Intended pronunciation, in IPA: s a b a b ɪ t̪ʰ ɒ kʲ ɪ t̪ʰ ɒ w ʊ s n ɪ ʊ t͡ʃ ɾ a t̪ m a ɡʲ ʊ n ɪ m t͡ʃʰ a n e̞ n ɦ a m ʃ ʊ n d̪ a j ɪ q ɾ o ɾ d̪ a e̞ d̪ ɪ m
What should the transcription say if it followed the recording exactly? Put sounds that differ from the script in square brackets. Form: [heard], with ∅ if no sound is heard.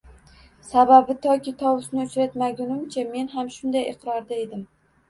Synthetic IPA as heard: s a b a b ɪ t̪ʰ ɒ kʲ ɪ t̪ʰ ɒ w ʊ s n ɪ ʊ t͡ʃ ɾ a t̪ m a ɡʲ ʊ n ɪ m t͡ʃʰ a [m] e̞ n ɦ a m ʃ ʊ n d̪ a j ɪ q ɾ [ɒ] ɾ d̪ a e̞ d̪ ɪ m